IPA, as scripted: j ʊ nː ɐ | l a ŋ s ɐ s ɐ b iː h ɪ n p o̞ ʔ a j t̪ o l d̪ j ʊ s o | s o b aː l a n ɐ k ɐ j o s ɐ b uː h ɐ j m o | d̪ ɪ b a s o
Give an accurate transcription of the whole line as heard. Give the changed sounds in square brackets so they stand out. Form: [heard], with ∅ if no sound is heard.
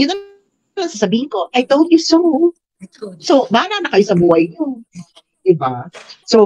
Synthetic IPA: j ʊ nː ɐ | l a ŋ s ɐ s ɐ b iː h ɪ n [k] o̞ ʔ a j t̪ o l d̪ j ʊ s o | s o b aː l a n ɐ k ɐ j o s ɐ b uː h ɐ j [ɲ] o | d̪ ɪ b a s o

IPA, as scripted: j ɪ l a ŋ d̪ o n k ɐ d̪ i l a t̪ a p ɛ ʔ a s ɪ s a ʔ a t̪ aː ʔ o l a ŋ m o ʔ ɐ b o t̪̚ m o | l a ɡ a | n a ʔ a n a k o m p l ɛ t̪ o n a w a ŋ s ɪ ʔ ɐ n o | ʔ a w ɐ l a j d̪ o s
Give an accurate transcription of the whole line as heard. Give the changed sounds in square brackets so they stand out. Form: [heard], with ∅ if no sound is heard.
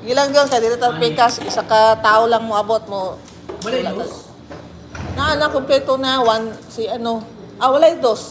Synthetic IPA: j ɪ l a ŋ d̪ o n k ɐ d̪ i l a t̪ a p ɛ [k] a s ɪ s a [k] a t̪ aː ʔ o l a ŋ m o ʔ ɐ b o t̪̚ m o | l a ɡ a | n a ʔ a n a k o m p l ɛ t̪ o n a w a [n] s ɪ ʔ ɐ n o | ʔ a w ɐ l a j d̪ o s

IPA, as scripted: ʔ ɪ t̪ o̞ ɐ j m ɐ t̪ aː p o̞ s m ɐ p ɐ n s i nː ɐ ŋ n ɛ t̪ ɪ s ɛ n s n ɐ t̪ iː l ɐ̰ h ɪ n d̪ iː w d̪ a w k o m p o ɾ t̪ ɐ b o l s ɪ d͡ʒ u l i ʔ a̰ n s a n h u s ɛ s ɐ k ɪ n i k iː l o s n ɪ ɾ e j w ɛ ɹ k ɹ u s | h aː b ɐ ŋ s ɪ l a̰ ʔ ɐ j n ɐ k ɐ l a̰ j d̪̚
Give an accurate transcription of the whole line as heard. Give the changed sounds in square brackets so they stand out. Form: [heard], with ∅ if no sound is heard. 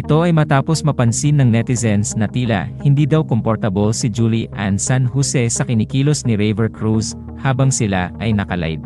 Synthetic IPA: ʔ ɪ t̪ o̞ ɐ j m ɐ t̪ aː p o̞ s m ɐ p ɐ n s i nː ɐ ŋ n ɛ t̪ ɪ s ɛ n s n ɐ t̪ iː l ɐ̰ h ɪ n d̪ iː [∅] d̪ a w k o m p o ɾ t̪ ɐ b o l s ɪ d͡ʒ u l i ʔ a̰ n s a n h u s ɛ s ɐ k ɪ n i k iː l o s n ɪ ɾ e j [v] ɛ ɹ k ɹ u s | h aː b ɐ ŋ s ɪ l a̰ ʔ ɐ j n ɐ k ɐ l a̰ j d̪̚

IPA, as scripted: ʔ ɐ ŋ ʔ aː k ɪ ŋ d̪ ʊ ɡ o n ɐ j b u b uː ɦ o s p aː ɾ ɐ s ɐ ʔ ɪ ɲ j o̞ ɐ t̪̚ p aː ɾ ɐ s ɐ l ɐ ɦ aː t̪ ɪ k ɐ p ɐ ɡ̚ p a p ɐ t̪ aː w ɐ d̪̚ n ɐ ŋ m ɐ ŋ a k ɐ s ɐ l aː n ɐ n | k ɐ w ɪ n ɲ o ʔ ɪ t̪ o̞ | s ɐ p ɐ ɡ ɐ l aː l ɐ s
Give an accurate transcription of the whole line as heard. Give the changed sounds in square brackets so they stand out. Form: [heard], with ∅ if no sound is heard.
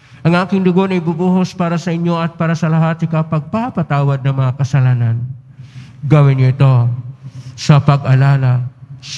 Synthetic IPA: ʔ ɐ ŋ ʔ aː k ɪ ŋ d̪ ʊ ɡ o n ɐ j b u b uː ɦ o s p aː ɾ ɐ s ɐ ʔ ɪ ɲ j o̞ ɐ t̪̚ p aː ɾ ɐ s ɐ l ɐ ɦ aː t̪ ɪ k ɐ p ɐ ɡ̚ p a p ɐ t̪ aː w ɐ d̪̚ n ɐ ŋ m ɐ ŋ a k ɐ s ɐ l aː n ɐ n | [ɡ] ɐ w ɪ n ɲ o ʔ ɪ t̪ o̞ | s ɐ p ɐ ɡ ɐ l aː l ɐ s

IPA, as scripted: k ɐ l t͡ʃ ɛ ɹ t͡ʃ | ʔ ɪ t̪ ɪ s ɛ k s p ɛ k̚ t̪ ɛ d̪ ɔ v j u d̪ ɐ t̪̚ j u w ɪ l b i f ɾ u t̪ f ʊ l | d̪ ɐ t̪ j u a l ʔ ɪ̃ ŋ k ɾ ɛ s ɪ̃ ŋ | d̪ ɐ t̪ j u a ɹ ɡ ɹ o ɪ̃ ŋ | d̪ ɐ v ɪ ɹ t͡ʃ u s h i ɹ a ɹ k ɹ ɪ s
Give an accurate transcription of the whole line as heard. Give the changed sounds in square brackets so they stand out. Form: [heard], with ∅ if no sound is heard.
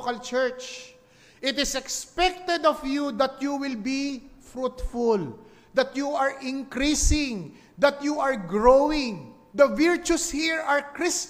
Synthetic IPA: k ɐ l t͡ʃ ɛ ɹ t͡ʃ | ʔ ɪ t̪ ɪ s ɛ k s p ɛ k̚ t̪ ɛ d̪ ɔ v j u d̪ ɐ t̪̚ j u w ɪ l b i f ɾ u t̪ f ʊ l | d̪ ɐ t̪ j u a [ɹ] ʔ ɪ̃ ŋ k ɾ [i] s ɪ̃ ŋ | d̪ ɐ t̪ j u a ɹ ɡ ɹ o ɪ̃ ŋ | d̪ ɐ v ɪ ɹ t͡ʃ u s h i ɹ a ɹ k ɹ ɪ s

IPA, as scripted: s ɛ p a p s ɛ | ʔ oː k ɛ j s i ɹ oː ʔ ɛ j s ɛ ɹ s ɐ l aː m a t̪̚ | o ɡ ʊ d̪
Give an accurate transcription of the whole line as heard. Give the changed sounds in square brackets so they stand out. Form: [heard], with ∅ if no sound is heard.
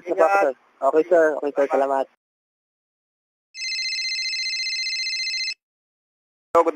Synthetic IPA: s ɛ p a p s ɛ | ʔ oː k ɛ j s [ɛ] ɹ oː [k] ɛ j s ɛ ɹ s ɐ l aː m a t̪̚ | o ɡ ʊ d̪

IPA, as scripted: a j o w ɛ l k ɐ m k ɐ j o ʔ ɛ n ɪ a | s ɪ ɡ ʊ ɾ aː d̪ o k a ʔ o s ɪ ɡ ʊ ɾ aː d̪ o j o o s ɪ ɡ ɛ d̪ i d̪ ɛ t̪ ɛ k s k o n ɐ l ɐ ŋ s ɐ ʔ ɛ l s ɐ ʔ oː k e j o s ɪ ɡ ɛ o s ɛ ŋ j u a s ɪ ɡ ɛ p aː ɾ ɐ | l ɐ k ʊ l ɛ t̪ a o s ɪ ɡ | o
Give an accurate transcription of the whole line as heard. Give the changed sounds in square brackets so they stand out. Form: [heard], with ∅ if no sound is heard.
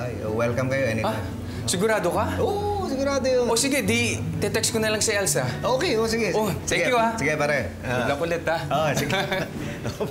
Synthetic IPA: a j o w ɛ l k ɐ m k ɐ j o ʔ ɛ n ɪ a | s ɪ ɡ ʊ ɾ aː d̪ o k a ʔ o s ɪ ɡ ʊ ɾ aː d̪ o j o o s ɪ ɡ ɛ d̪ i [t̪] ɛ t̪ ɛ k s k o n ɐ l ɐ ŋ s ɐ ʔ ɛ l s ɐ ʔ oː k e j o s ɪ ɡ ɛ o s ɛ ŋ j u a s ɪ ɡ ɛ p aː ɾ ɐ | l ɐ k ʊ l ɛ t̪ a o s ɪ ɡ | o

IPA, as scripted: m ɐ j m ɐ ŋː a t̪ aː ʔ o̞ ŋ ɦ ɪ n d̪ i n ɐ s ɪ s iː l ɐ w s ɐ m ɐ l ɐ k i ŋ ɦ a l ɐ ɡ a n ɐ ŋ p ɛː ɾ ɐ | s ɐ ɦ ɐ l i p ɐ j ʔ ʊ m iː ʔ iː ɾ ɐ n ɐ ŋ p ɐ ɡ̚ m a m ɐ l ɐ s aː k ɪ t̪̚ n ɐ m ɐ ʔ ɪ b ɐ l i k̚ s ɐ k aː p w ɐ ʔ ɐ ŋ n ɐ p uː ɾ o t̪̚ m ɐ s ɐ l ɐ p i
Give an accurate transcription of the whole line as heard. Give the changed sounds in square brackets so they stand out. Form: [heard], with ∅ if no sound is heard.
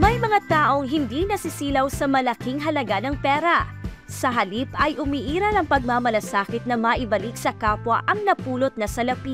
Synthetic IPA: m ɐ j m ɐ [ŋ] a t̪ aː ʔ o̞ ŋ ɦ ɪ n d̪ i n ɐ s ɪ s iː l ɐ w s ɐ m ɐ l ɐ k i ŋ ɦ [ɐ] l ɐ ɡ a n ɐ ŋ p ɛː ɾ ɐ | s ɐ ɦ ɐ l i p ɐ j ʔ ʊ m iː ʔ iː ɾ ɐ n ɐ ŋ p ɐ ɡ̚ m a m ɐ l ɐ s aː k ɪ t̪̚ n ɐ m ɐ ʔ ɪ b ɐ l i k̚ s ɐ k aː p w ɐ ʔ ɐ ŋ n ɐ p uː [l] o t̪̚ [n] ɐ s ɐ l ɐ p i

